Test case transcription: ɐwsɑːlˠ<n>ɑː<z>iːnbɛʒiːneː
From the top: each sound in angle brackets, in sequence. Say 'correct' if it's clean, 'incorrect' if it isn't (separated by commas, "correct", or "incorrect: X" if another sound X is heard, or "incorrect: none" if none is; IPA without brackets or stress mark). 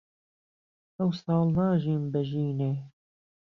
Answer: correct, incorrect: ʒ